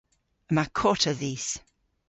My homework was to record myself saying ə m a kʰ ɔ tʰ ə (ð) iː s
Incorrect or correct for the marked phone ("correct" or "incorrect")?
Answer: correct